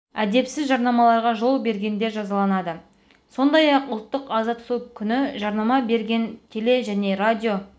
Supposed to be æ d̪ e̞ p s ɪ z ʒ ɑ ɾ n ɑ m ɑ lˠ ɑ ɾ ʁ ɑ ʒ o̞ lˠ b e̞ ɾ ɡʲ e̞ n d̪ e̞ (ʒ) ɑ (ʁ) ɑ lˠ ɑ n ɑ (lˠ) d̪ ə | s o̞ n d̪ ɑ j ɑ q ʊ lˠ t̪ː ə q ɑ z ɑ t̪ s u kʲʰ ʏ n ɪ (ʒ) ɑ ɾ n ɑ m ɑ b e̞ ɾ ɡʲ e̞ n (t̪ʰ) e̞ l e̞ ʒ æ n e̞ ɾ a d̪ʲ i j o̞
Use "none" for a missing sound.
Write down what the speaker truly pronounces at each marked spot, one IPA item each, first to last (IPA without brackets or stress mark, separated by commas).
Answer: ʒ, z, none, ʒ, t̪ʰ